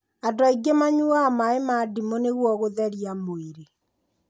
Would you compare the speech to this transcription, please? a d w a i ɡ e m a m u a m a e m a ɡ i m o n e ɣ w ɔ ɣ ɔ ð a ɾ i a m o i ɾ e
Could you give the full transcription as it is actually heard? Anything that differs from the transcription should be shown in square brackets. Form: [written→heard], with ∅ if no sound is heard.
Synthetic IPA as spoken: a d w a i ɡ e m a [m→ɲ] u a m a e m a [ɡ→d] i m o n e ɣ w ɔ ɣ [ɔ→o] ð [a→ɛ] ɾ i a m o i ɾ e